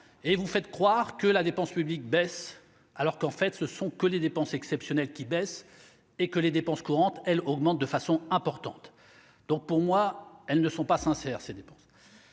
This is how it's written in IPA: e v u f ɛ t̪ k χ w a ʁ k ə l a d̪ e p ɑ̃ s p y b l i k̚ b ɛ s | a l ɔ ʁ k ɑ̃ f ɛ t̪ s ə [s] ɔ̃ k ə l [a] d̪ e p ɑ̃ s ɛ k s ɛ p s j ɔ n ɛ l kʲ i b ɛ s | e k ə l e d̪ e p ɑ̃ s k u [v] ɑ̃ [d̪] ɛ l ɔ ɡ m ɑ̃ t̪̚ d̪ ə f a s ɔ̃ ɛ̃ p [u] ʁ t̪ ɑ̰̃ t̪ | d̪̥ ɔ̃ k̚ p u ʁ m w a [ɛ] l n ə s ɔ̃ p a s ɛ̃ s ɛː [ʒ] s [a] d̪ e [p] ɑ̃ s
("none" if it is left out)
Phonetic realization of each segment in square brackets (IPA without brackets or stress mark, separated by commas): s, e, ʁ, t̪, ɔ, ɛ, ʁ, e, p